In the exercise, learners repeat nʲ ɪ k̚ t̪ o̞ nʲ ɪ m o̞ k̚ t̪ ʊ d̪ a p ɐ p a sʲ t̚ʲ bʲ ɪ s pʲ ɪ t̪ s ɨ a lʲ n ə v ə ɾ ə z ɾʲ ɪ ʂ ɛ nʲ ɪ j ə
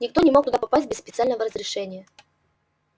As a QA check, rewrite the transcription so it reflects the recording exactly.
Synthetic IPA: nʲ ɪ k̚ t̪ o̞ nʲ ɪ m o̞ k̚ t̪ ʊ d̪ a p ɐ p a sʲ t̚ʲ bʲ ɪ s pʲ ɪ t̪ s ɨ a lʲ n ə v ə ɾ ə z ɾʲ ɪ ʂ ɛ nʲ ɪ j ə